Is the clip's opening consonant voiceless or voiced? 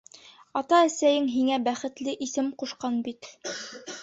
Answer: voiceless